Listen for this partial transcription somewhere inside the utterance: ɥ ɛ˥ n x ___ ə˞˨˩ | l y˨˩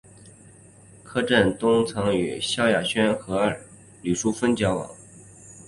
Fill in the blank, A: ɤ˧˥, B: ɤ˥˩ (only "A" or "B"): A